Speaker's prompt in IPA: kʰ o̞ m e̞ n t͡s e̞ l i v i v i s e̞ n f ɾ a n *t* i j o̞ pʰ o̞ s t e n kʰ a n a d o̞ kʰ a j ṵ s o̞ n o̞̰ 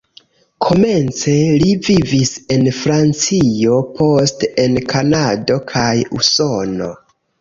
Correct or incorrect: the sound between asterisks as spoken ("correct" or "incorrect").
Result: incorrect